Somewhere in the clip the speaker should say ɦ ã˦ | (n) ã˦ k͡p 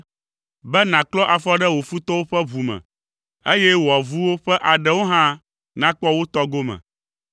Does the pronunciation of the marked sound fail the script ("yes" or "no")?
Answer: no